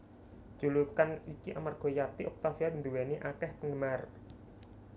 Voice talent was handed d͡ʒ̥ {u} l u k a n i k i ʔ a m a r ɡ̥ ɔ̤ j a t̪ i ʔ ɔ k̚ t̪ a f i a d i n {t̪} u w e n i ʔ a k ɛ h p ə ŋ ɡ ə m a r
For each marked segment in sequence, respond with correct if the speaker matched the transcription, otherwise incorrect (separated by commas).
correct, incorrect